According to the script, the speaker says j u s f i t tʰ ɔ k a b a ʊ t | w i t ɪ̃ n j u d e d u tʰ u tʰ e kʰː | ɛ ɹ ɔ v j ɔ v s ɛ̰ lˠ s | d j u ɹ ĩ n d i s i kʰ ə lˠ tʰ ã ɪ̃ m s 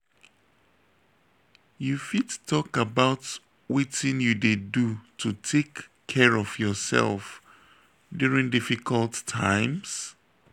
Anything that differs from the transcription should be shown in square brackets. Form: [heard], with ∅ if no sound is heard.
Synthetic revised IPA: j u [∅] f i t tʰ ɔ k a b a ʊ t | w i t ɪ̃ n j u d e d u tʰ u tʰ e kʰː | ɛ ɹ ɔ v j ɔ [∅] s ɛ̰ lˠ [f] | d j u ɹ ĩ [ŋ] d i [f] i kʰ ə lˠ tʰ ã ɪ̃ m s